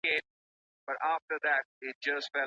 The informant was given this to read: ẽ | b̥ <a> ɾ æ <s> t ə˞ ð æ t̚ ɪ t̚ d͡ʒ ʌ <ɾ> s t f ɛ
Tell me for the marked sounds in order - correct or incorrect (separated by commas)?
incorrect, incorrect, incorrect